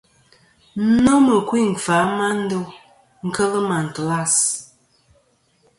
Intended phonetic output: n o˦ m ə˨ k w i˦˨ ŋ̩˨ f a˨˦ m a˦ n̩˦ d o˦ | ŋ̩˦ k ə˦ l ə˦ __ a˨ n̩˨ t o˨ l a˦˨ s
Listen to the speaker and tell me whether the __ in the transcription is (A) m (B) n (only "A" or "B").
A